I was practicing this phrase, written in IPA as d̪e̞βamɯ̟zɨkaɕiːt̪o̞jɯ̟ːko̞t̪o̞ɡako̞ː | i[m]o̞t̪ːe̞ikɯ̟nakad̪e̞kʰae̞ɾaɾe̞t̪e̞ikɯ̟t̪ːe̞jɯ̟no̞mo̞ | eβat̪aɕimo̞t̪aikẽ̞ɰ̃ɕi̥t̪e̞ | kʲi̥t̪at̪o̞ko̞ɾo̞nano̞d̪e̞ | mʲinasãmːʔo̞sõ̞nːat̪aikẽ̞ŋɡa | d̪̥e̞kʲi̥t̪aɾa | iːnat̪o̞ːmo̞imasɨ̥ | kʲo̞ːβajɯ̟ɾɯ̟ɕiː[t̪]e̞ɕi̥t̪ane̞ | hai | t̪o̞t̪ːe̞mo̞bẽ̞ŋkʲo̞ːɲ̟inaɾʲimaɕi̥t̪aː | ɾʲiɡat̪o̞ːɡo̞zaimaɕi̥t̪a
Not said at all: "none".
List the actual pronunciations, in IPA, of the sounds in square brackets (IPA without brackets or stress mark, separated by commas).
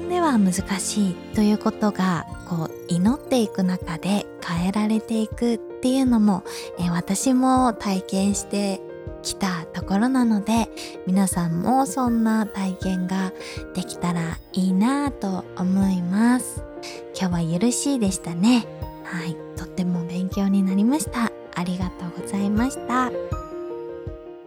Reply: n, d̪